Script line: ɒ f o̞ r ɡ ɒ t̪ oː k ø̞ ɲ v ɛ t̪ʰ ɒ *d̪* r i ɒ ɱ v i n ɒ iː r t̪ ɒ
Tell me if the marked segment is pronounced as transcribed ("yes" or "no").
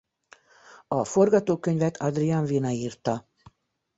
yes